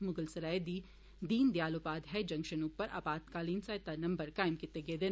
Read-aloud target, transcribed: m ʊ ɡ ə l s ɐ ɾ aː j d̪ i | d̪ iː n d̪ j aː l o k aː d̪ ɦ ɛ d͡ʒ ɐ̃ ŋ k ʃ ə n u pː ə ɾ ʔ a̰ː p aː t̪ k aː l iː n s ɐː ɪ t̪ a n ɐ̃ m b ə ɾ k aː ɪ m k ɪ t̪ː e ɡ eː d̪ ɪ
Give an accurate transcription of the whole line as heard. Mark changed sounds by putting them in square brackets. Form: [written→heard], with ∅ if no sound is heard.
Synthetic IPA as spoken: m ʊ ɡ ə l s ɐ ɾ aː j d̪ i | d̪ iː n d̪ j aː l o [k→p] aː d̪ ɦ ɛ d͡ʒ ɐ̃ ŋ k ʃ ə n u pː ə ɾ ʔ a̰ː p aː t̪ k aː l iː n s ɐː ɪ t̪ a n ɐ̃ m b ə ɾ k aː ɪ m k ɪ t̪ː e ɡ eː d̪ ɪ